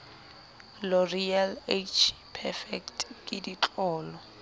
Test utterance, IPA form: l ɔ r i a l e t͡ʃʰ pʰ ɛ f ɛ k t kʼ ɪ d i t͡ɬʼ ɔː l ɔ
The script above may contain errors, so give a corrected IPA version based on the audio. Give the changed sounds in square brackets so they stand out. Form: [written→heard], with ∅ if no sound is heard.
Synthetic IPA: l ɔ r i a l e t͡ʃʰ pʰ ɛ f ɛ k t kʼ ɪ d i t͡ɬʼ ɔː l ɔ